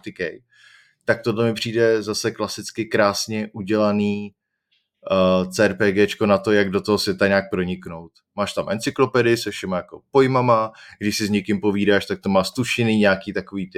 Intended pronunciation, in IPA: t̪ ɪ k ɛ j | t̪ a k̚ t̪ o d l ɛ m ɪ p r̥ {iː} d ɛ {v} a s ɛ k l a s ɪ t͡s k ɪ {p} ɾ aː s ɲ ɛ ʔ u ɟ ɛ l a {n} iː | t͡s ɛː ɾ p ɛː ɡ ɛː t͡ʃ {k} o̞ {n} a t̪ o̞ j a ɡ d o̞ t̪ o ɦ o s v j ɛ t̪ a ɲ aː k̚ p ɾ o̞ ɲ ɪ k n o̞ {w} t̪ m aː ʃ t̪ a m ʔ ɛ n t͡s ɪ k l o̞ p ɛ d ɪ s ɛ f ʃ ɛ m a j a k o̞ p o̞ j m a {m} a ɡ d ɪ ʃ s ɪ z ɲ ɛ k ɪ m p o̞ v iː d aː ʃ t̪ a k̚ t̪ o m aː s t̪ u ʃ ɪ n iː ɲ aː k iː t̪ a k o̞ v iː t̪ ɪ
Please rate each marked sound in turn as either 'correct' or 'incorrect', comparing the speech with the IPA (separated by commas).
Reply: correct, incorrect, incorrect, correct, correct, correct, correct, correct